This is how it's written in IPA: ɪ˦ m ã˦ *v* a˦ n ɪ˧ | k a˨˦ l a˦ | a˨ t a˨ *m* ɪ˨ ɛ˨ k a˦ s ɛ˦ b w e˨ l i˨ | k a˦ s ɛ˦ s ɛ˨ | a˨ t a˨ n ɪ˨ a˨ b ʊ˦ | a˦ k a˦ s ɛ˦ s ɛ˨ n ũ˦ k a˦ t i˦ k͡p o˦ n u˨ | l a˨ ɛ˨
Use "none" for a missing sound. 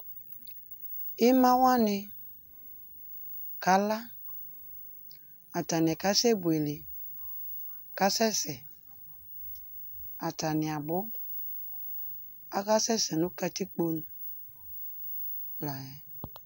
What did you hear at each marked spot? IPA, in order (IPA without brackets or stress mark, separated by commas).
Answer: w, n